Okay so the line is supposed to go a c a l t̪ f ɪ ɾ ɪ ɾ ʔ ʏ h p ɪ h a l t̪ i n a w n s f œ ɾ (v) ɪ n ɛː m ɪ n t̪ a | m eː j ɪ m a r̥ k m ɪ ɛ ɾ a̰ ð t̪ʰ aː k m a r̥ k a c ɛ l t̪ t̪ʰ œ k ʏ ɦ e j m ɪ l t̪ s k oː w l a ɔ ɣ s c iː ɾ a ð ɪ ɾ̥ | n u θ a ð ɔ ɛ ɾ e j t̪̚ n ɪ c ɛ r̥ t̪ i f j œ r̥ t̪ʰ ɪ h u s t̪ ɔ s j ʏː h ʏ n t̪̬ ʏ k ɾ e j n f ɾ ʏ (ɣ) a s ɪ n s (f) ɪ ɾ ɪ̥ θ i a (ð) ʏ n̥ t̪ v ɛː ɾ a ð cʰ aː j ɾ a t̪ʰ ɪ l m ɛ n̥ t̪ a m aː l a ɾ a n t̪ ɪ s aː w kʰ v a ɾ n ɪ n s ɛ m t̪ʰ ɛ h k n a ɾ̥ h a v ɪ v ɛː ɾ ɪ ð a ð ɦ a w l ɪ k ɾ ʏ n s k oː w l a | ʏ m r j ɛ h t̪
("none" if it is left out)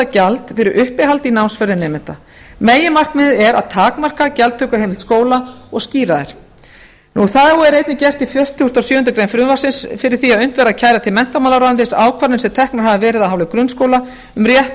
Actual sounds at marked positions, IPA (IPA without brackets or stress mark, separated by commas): ð, v, f, ð